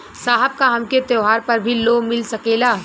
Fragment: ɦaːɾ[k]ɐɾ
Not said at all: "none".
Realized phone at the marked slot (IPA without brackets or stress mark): p